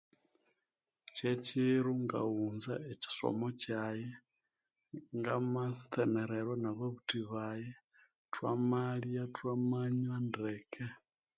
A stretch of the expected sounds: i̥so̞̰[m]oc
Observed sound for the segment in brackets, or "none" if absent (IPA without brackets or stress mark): m